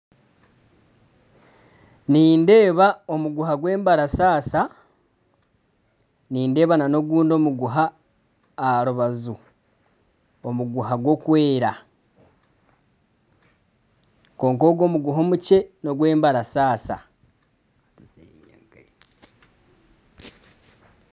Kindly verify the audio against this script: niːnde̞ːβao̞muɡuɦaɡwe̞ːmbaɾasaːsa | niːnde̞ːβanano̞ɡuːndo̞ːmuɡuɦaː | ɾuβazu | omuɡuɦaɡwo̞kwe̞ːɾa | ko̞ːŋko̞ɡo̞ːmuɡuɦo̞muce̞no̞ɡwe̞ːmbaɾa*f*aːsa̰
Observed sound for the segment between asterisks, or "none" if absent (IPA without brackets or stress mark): s